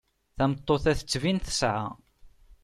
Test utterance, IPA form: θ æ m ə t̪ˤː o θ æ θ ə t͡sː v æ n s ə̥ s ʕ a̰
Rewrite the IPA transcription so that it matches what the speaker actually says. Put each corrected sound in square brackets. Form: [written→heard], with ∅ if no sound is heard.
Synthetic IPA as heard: θ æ m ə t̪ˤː o θ æ θ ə t͡sː v [æ→i] n [s→θ] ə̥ s ʕ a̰